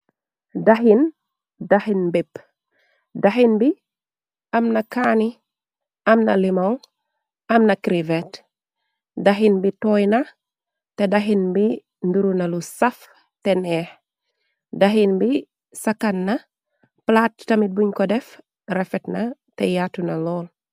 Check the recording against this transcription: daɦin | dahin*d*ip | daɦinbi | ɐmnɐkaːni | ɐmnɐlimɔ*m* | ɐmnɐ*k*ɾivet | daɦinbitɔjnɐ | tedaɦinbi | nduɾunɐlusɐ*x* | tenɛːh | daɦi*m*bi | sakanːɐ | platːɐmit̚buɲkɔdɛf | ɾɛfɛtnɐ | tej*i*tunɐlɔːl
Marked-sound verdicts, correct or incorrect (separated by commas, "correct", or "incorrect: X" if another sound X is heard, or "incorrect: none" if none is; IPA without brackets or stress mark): incorrect: b, incorrect: ŋ, correct, incorrect: f, incorrect: n, incorrect: a